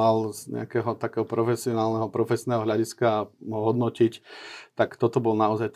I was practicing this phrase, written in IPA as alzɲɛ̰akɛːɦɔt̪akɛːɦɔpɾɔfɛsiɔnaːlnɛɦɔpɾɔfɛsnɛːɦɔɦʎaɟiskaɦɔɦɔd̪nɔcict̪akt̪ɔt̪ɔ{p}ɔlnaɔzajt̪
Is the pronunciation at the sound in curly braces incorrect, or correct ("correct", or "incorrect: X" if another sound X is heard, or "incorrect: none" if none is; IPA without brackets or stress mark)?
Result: incorrect: b